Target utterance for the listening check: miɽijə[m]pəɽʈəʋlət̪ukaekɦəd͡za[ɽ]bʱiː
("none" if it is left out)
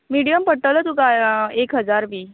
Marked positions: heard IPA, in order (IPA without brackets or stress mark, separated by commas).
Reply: m, ɾ